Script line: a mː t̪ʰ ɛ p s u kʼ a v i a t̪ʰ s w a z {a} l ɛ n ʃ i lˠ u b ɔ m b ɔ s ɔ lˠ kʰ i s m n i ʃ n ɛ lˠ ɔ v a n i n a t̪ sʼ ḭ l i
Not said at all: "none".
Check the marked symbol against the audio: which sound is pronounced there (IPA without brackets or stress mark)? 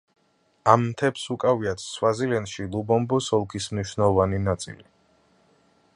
i